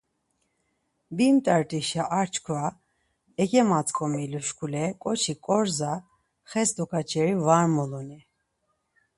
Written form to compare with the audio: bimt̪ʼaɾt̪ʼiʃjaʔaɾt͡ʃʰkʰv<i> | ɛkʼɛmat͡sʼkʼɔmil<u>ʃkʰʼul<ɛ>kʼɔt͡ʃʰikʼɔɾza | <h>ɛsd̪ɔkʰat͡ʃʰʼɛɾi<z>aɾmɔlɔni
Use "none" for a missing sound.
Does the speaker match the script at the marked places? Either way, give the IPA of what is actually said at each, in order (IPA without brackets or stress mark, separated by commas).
a, u, ɛ, χ, v